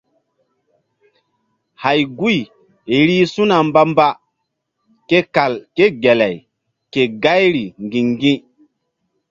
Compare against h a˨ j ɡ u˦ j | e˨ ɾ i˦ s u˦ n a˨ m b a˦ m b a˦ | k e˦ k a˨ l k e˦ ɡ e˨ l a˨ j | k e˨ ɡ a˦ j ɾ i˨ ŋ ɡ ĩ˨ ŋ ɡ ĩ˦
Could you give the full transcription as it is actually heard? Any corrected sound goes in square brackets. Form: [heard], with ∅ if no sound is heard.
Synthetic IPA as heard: h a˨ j ɡ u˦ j | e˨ ɾ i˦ s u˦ n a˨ m b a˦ m b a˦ | k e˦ k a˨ l k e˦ ɡ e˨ l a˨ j | k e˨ ɡ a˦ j ɾ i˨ ŋ ɡ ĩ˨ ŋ ɡ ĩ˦